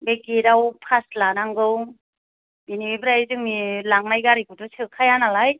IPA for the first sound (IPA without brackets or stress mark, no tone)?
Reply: b